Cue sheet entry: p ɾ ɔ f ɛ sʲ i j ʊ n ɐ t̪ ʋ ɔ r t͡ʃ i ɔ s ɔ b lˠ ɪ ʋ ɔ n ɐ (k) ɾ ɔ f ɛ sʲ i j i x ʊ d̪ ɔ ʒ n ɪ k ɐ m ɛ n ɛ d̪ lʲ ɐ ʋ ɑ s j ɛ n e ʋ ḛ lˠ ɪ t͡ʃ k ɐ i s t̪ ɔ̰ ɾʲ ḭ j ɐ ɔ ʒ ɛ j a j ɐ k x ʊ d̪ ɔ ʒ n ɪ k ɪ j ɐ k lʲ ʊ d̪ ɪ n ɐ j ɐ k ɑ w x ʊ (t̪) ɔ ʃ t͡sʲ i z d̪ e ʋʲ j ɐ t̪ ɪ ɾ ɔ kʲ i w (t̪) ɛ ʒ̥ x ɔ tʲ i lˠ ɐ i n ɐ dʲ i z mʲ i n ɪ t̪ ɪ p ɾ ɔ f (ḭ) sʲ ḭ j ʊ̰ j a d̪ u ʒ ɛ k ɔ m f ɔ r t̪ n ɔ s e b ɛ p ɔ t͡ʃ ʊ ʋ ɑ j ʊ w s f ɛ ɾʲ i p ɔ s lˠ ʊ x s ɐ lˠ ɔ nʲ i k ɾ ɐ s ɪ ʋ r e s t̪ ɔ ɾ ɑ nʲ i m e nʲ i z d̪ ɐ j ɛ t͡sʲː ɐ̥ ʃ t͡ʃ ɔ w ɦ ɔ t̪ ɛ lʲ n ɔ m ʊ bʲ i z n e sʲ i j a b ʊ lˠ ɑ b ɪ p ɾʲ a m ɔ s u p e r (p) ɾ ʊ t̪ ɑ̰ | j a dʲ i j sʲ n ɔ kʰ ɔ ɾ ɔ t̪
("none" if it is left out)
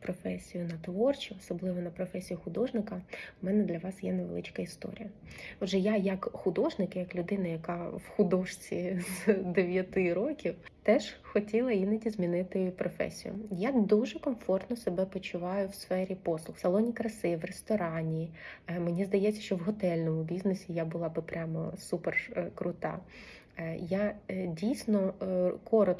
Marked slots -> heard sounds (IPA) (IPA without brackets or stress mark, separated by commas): p, d̪, t̪, ɛ̰, k